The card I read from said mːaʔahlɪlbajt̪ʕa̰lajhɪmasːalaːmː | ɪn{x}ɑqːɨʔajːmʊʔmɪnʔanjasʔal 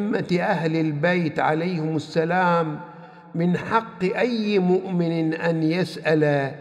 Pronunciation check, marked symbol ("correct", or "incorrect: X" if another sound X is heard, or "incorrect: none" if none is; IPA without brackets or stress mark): incorrect: ħ